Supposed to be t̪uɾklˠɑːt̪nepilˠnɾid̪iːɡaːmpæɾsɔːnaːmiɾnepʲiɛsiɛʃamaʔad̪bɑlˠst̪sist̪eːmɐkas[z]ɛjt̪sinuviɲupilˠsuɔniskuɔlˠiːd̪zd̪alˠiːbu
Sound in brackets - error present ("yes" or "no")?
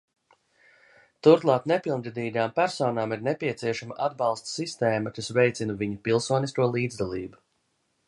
yes